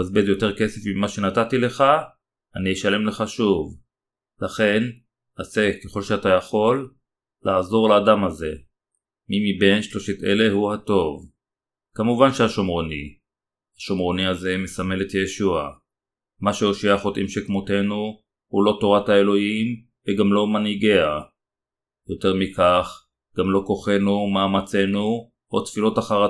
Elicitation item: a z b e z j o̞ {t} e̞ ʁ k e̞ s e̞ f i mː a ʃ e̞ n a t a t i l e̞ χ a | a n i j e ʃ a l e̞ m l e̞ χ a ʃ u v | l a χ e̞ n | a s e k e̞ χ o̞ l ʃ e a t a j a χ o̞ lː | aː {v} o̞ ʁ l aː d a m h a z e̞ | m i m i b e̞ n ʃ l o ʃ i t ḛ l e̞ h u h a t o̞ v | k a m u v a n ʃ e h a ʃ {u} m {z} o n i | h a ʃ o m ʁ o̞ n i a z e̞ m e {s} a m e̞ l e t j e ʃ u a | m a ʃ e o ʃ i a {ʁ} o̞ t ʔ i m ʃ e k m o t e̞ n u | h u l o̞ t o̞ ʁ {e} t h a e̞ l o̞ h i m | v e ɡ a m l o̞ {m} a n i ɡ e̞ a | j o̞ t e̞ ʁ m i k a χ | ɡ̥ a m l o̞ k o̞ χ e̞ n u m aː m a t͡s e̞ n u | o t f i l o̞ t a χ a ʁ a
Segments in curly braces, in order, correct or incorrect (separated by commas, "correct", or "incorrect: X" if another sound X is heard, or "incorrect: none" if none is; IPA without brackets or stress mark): correct, incorrect: z, incorrect: o, incorrect: ʁ, correct, incorrect: χ, incorrect: a, correct